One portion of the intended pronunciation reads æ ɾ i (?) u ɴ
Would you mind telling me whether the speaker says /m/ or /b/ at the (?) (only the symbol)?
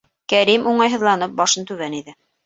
m